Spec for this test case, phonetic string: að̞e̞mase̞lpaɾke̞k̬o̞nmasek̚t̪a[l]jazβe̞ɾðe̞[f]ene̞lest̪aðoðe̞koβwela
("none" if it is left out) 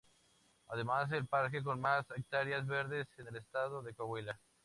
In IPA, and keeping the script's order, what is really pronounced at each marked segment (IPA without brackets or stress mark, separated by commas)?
ɾ, s